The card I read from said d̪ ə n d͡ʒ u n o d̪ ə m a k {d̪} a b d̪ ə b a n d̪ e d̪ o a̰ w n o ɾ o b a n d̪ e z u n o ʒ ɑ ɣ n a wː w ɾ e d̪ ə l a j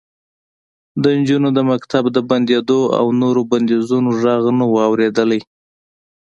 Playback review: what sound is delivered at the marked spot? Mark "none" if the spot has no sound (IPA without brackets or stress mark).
t̪